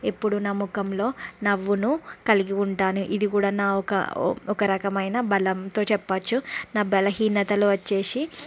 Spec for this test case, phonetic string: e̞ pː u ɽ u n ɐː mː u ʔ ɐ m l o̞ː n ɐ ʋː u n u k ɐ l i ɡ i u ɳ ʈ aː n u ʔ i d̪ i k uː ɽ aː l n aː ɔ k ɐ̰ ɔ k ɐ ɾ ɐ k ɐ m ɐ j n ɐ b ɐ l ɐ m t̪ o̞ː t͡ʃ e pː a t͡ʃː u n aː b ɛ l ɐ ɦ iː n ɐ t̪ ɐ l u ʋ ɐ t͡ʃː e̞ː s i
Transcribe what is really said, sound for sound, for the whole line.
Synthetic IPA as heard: e̞ pː u ɽ u n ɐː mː u k ɐ m l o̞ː n ɐ ʋː u n u k ɐ l i ɡ i u ɳ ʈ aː n u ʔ i d̪ i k uː ɽ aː n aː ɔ k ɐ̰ ɔ k ɐ ɾ ɐ k ɐ m ɐ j n ɐ b ɐ l ɐ m t̪ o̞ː t͡ʃ ɛ pː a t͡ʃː u n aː b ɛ l ɐ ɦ iː n ɐ t̪ ɐ l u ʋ ɐ t͡ʃː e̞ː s i